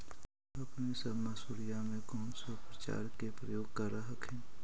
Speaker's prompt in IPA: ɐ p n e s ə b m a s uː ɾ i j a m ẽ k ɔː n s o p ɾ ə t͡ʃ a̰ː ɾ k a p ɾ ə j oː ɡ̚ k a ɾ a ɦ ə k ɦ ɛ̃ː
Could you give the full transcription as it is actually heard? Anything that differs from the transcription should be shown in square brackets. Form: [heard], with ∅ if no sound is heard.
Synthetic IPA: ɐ p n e s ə b m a s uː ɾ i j a m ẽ k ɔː n s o p ɾ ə t͡ʃ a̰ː ɾ k [e] p ɾ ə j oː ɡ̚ k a ɾ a ɦ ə k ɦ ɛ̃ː